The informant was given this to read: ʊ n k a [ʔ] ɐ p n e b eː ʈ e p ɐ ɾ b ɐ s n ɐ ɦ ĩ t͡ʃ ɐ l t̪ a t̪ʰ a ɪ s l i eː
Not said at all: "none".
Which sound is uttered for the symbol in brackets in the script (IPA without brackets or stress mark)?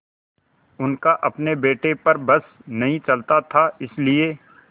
ʔ